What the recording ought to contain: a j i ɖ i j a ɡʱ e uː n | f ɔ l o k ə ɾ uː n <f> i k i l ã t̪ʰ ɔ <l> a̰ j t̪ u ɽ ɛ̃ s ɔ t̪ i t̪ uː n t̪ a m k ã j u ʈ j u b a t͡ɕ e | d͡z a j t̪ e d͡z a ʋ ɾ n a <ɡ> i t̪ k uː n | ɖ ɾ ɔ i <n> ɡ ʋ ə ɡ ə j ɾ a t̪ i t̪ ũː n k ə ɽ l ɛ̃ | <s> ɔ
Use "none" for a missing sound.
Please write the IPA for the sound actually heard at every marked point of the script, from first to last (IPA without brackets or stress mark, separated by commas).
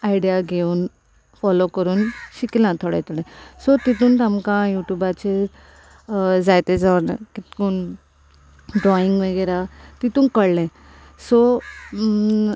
ɕ, ɽ, k, ŋ, s